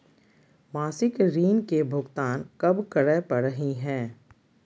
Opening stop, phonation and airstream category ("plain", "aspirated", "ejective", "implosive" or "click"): plain